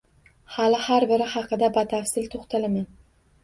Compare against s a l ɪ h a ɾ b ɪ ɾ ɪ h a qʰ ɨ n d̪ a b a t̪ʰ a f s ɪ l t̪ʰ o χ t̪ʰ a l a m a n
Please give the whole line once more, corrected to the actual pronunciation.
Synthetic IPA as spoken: h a l ɪ h a ɾ b ɪ ɾ ɪ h ɑ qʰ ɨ d̪ a b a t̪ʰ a f s ɪ l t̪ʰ o χ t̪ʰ a l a m a n